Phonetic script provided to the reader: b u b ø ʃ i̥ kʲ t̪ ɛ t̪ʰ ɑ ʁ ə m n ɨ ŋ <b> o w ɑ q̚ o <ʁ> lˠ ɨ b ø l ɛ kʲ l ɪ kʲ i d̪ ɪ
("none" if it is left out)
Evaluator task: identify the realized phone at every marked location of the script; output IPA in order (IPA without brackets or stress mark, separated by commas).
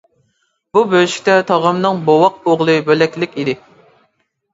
b, ʁ